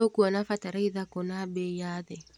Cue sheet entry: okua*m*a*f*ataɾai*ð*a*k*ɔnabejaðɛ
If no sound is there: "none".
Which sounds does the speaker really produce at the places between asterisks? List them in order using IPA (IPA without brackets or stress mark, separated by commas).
n, f, ð, k